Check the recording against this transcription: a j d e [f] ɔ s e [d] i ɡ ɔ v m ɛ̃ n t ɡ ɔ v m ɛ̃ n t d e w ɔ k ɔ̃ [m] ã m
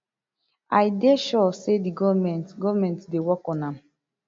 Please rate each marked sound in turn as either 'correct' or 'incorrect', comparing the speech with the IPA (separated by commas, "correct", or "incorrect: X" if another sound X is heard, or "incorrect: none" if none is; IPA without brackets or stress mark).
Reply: incorrect: ʃ, correct, incorrect: n